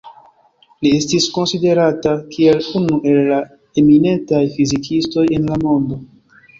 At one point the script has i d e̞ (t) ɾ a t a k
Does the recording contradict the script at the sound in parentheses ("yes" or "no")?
yes